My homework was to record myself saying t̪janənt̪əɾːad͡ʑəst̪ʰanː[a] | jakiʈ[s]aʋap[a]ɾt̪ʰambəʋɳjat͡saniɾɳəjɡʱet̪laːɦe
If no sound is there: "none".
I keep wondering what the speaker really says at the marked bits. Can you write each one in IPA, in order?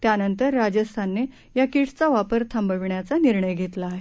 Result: e, t͡s, ə

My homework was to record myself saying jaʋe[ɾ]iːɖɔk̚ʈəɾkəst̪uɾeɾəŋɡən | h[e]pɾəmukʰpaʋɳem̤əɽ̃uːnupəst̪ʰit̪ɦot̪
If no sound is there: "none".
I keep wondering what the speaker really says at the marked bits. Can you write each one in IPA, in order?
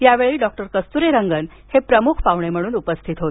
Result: ɭ, e

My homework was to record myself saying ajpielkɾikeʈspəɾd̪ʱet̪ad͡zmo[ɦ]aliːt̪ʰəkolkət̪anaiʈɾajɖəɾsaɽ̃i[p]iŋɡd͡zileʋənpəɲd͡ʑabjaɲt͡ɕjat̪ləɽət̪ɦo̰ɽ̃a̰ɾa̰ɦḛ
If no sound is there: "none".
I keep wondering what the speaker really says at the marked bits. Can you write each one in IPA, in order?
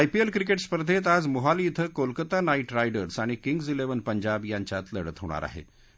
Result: ɦ, k

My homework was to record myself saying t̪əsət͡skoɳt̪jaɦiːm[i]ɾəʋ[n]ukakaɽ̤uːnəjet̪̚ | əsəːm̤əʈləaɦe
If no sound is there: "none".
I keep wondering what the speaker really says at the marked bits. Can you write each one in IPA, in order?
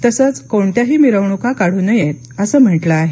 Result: i, ɳ

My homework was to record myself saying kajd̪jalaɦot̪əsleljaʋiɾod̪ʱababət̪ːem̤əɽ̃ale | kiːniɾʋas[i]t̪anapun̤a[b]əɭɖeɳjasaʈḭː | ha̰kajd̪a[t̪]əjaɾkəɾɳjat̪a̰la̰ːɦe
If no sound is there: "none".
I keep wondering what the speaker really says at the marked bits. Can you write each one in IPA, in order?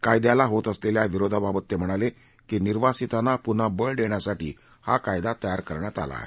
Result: i, b, t̪

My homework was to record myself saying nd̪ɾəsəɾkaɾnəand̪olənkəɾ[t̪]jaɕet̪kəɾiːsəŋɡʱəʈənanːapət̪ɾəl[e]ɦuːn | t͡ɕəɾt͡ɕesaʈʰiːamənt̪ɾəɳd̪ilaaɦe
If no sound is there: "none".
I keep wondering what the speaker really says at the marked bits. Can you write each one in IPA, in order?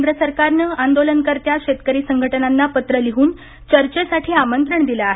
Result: t̪, i

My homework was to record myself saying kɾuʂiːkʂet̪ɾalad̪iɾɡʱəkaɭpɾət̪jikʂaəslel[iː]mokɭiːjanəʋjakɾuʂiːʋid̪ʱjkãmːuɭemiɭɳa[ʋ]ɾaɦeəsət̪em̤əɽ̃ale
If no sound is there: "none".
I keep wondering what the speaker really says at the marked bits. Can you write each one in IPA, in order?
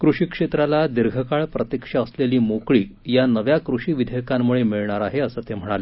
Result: iː, none

